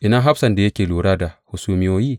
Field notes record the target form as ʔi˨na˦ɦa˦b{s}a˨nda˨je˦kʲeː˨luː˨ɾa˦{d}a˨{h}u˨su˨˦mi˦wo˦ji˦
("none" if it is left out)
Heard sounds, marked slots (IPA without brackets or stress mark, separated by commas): s, d, h